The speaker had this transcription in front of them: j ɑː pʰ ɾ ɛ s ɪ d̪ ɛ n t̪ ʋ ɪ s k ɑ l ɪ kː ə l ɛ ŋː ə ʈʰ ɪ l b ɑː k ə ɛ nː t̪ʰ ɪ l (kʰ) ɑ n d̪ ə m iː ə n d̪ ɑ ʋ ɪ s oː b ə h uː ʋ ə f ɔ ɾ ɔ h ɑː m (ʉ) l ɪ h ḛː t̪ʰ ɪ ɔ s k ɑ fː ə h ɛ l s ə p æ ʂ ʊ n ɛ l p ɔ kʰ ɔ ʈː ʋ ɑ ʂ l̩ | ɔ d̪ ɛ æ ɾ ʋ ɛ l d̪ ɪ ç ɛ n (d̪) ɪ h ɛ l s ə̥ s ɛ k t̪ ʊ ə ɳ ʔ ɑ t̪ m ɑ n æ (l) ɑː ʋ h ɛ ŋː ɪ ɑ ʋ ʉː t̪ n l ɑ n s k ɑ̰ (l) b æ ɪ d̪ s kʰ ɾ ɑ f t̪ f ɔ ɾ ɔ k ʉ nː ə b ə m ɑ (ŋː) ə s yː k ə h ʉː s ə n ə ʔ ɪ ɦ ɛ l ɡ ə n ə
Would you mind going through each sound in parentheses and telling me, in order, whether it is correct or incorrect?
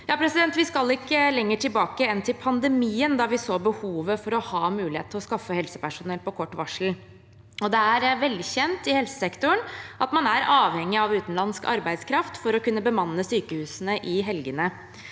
incorrect: pʰ, incorrect: ʉː, incorrect: t̪, incorrect: ɾ, incorrect: ɾ, incorrect: nː

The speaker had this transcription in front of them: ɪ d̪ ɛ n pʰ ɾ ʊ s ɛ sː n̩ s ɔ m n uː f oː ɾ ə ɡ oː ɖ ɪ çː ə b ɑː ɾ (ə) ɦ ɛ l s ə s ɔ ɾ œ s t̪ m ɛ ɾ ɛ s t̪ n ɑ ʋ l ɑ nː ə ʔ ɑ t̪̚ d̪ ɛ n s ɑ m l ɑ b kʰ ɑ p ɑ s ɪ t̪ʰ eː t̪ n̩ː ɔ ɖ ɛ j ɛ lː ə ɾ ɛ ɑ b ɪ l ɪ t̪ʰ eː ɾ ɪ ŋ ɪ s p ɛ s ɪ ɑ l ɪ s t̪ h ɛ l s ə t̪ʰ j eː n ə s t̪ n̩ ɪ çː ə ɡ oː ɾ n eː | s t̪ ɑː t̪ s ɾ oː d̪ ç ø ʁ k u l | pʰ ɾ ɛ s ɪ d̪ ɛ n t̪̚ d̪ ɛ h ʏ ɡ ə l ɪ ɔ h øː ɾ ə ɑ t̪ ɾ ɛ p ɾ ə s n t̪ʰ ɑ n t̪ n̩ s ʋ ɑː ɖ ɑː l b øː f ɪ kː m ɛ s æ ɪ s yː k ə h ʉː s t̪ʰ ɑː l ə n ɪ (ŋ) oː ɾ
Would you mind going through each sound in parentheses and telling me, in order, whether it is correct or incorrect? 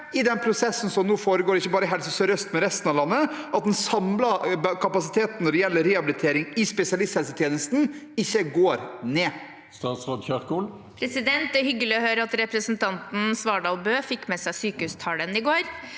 correct, incorrect: ɡ

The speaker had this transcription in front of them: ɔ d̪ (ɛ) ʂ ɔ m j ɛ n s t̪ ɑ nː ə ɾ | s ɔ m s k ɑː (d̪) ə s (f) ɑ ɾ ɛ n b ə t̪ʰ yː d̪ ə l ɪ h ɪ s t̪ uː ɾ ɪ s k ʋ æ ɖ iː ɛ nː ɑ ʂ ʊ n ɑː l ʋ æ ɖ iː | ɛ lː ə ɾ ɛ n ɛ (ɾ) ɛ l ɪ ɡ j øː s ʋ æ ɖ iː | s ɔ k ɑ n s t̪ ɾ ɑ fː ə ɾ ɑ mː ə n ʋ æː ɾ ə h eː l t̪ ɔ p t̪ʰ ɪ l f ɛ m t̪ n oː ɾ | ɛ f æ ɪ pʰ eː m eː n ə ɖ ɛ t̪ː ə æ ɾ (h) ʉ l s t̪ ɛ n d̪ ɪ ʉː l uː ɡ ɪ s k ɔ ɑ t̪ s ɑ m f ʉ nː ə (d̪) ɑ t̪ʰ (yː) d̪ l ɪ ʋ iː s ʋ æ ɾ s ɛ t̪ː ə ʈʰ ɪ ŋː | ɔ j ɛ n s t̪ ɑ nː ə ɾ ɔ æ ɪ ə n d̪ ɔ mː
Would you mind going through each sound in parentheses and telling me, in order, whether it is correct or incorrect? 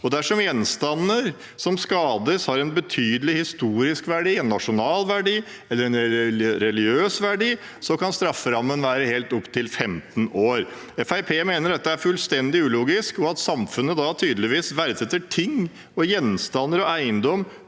incorrect: æ, correct, incorrect: h, correct, incorrect: f, correct, correct

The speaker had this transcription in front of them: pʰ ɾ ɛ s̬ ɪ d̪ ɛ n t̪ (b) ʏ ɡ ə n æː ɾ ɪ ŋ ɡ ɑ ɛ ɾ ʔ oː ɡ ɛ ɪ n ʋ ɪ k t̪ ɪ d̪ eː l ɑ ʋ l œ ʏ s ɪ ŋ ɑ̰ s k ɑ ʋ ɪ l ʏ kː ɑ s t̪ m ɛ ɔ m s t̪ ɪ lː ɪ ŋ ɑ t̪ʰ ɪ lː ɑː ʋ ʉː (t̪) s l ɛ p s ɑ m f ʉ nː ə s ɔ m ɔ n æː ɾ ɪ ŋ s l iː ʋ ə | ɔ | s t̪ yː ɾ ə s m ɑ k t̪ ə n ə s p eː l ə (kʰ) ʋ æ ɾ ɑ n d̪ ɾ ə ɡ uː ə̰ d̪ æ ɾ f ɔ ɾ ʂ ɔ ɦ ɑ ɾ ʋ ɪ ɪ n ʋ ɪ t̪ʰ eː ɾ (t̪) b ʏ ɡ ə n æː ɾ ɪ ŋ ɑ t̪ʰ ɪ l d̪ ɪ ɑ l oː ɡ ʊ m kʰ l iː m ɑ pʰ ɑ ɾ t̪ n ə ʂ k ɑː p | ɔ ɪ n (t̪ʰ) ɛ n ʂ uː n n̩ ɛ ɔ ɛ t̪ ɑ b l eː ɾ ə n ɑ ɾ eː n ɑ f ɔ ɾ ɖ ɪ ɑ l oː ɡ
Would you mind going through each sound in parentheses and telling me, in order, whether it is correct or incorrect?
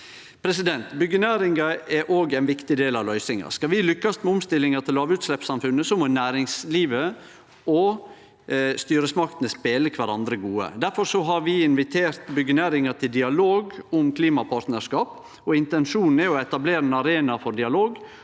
correct, correct, correct, correct, incorrect: t̪

